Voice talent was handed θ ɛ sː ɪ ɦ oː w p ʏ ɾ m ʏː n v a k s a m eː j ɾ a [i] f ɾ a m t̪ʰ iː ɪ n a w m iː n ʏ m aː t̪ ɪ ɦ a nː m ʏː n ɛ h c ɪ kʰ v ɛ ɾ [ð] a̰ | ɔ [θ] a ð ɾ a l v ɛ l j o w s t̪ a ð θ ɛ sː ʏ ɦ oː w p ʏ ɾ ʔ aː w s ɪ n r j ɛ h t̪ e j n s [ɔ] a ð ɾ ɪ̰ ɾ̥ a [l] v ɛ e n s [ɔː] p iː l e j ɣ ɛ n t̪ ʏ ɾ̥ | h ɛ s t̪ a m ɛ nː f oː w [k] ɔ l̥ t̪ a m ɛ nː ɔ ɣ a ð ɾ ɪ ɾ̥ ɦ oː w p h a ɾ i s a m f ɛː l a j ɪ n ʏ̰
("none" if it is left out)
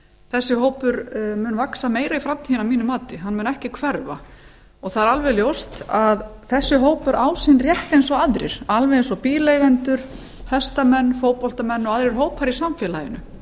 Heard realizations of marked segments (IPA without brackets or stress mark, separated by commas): i, v, θ, ɔ, l, ɔ, p